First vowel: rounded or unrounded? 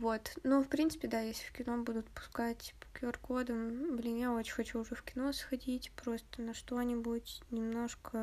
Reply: rounded